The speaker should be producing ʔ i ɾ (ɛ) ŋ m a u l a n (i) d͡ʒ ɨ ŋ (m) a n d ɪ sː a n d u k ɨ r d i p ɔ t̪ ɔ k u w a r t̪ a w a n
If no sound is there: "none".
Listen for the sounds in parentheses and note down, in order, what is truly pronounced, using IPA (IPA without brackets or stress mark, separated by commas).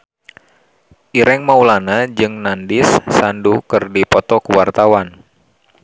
ɛ, a, n